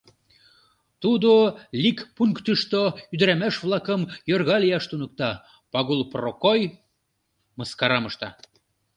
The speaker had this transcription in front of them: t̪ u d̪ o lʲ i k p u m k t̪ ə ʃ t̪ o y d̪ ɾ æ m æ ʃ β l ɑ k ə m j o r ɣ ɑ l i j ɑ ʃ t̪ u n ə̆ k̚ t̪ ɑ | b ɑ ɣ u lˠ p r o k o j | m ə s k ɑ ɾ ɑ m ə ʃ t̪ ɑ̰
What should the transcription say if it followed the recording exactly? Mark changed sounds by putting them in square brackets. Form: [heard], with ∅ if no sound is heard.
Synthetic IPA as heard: t̪ u d̪ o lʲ i k p u [ŋ] k t̪ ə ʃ t̪ o y d̪ ɾ æ m æ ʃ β l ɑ k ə m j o r ɣ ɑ l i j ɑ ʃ t̪ u n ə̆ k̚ t̪ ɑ | [p] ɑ ɣ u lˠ p r o k o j | m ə s k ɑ ɾ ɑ m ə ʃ t̪ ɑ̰